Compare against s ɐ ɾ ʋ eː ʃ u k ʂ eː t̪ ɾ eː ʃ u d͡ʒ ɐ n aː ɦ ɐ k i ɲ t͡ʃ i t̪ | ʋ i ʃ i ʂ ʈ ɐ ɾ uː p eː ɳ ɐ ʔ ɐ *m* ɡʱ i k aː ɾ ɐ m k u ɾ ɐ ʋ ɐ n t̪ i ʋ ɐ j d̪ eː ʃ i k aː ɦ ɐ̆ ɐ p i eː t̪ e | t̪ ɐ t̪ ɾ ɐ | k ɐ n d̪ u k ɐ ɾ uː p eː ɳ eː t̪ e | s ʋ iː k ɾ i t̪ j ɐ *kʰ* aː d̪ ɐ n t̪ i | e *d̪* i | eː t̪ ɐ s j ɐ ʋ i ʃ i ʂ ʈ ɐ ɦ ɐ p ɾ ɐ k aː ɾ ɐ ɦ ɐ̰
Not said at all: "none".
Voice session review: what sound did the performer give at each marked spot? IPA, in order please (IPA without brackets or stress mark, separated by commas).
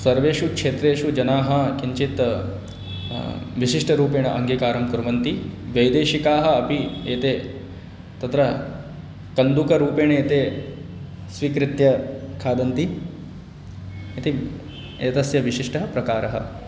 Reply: ŋ, kʰ, t̪